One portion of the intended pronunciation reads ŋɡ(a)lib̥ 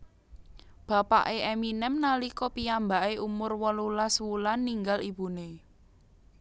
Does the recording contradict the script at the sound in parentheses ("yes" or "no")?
no